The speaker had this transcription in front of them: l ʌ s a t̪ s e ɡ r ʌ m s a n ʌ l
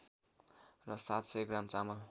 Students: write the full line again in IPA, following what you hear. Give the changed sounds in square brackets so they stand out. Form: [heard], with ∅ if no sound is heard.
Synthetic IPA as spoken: [r] ʌ s a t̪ s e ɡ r [a] m [t͡s] a [m] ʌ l